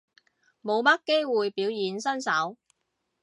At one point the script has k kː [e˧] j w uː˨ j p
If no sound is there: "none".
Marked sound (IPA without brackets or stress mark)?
e˥